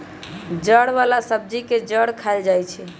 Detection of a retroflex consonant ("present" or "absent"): present